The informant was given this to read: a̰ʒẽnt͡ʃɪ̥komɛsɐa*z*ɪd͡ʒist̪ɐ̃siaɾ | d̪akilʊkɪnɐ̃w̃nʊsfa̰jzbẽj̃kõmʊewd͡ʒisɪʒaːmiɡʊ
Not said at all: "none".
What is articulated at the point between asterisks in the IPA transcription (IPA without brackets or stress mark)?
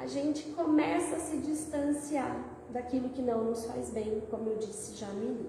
s